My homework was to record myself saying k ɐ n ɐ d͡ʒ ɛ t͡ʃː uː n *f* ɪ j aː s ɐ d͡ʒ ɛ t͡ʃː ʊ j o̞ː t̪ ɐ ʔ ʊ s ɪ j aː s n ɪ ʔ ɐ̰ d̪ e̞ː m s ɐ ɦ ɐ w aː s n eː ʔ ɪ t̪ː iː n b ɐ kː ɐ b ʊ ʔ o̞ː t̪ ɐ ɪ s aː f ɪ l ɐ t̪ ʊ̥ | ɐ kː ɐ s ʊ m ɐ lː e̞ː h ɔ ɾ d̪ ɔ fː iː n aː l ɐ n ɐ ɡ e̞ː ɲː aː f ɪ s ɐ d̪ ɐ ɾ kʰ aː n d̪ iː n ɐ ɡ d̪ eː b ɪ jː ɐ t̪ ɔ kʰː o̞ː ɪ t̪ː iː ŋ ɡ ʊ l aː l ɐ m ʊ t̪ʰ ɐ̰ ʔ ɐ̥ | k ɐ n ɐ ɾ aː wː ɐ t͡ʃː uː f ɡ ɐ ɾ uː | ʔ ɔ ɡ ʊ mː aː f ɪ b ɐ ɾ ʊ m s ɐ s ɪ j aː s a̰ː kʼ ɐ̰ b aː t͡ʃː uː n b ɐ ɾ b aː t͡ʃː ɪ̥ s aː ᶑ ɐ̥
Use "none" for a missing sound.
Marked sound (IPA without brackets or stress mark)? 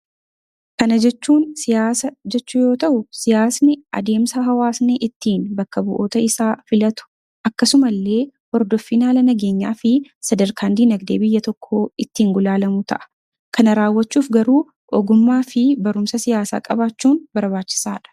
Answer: s